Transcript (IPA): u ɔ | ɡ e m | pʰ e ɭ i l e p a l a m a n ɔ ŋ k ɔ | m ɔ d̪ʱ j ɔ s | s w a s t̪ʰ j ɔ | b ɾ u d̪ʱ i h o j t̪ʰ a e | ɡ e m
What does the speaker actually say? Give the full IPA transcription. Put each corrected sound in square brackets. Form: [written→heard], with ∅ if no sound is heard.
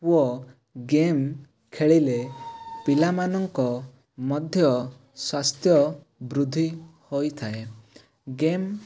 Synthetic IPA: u ɔ | ɡ e m | [pʰ→kʰ] e ɭ i l e p [a→i] l a m a n ɔ ŋ k ɔ | m ɔ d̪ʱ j ɔ [s→∅] | s w a s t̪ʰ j ɔ | b ɾ u d̪ʱ i h o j t̪ʰ a e | ɡ e m